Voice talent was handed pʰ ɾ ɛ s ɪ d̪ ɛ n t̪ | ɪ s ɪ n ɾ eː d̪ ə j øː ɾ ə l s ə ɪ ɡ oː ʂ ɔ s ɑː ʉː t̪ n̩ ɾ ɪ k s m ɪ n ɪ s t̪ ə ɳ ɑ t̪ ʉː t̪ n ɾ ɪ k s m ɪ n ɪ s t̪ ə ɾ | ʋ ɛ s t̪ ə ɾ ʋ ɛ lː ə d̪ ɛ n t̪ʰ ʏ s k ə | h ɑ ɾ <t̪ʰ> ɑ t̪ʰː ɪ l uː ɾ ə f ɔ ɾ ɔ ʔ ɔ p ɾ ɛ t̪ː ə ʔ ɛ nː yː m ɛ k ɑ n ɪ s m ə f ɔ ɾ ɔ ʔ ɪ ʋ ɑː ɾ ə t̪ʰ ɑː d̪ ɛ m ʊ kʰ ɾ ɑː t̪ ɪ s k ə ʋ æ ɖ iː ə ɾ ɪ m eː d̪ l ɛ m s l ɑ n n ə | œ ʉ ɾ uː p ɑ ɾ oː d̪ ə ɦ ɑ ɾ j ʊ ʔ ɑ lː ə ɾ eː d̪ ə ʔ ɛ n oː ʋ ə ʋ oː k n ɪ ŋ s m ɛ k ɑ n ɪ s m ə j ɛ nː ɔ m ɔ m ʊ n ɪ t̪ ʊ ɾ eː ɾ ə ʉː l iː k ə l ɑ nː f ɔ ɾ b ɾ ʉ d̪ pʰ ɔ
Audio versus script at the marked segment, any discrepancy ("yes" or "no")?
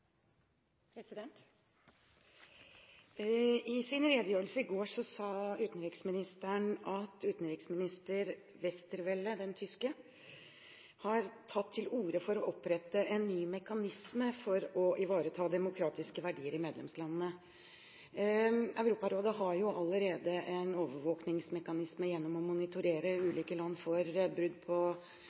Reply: no